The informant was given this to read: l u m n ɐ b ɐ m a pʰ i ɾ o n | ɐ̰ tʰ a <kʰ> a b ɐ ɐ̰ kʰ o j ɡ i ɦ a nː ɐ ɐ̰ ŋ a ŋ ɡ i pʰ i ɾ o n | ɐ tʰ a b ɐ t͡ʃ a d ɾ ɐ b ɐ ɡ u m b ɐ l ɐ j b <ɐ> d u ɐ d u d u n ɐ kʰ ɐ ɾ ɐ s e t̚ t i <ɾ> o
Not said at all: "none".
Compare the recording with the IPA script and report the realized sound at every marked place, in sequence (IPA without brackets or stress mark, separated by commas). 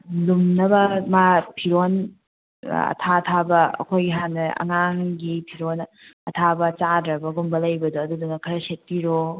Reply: tʰ, ɐ, ɾ